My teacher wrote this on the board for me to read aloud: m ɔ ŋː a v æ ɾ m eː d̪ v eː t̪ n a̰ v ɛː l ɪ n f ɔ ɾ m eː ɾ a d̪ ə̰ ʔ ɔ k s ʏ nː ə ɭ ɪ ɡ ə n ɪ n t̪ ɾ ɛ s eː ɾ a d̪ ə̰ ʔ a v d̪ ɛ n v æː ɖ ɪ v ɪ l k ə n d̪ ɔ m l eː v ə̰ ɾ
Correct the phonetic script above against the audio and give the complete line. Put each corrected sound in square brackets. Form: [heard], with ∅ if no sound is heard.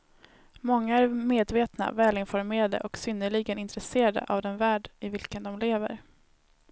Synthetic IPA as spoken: m ɔ ŋː a [∅] æ ɾ m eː d̪ v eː t̪ n a̰ v ɛː l ɪ n f ɔ ɾ m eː ɾ a d̪ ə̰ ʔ ɔ k s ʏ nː ə ɭ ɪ ɡ ə n ɪ n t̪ ɾ ɛ s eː ɾ a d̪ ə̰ ʔ a v d̪ ɛ n v æː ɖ ɪ v ɪ l k ə n d̪ ɔ m l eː v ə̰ ɾ

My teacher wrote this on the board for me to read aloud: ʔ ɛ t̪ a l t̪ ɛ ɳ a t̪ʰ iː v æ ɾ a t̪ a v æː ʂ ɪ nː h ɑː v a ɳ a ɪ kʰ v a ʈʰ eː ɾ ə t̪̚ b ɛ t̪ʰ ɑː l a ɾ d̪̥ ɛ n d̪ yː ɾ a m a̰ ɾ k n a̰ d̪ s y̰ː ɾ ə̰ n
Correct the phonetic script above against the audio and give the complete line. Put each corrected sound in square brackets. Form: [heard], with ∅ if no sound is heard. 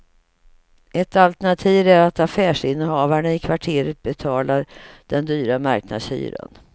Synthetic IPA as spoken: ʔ ɛ t̪ a l t̪ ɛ ɳ a t̪ʰ iː v æ ɾ a t̪ a [f] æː ʂ ɪ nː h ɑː v a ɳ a ɪ kʰ v a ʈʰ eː ɾ ə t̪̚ b ɛ t̪ʰ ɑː l a ɾ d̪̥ ɛ n d̪ yː ɾ a m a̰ ɾ k n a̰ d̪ s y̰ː ɾ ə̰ n

